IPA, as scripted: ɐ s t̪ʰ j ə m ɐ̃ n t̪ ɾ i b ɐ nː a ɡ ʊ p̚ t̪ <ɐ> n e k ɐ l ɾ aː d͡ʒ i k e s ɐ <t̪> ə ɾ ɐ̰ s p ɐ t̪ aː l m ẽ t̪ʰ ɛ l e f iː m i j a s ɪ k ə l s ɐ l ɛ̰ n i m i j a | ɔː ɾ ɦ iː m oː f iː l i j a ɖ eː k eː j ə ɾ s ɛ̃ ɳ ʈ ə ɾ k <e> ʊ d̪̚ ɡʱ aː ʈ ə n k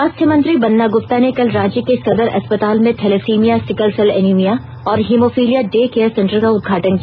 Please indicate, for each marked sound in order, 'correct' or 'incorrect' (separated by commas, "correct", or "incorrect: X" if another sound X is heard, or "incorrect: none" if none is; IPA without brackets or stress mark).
incorrect: a, incorrect: d̪, incorrect: a